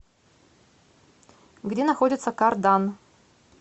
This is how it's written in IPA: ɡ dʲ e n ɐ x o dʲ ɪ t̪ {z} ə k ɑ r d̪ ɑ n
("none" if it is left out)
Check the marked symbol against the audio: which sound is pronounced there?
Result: s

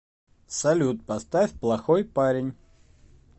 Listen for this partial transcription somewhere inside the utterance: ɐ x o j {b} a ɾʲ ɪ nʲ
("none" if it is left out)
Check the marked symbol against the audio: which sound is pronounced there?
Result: p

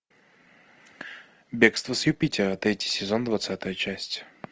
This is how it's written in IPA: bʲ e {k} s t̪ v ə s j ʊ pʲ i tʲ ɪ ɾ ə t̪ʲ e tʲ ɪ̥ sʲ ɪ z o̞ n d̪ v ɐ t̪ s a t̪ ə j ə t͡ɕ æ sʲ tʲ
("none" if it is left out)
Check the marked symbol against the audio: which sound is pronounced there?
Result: k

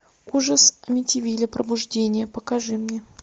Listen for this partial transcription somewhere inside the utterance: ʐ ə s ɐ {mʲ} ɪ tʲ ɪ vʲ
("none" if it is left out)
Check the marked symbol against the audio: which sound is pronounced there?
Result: mʲ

